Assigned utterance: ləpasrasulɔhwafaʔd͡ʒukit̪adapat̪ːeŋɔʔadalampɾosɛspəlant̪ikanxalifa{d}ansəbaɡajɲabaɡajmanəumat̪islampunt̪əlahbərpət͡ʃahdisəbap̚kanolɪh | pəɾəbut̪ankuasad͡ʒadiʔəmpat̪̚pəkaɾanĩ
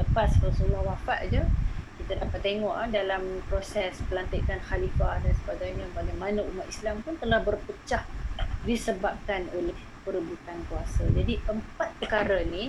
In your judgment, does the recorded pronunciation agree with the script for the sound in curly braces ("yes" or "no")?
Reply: yes